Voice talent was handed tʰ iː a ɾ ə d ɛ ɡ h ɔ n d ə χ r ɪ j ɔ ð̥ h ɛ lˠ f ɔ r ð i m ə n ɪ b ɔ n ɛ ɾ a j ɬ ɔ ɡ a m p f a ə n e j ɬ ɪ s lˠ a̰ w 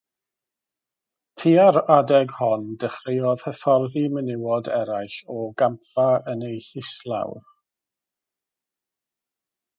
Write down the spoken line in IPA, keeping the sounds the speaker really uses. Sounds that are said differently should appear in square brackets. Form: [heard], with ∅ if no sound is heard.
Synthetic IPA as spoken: tʰ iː a ɾ [a] d ɛ ɡ h ɔ n d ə χ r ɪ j ɔ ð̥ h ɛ [∅] f ɔ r ð i m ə n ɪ [w] ɔ [d] ɛ ɾ a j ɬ ɔ ɡ a m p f a ə n e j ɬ ɪ s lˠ a̰ w